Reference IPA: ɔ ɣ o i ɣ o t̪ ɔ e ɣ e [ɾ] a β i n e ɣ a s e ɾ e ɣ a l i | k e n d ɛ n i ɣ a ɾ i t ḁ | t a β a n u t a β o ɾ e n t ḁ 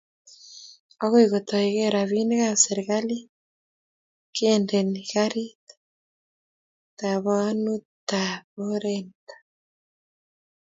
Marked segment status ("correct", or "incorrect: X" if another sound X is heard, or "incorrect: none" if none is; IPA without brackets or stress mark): correct